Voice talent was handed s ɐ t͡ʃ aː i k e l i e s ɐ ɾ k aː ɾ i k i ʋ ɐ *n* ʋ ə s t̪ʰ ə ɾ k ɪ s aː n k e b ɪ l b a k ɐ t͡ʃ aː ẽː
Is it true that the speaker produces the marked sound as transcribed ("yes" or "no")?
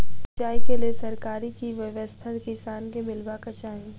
no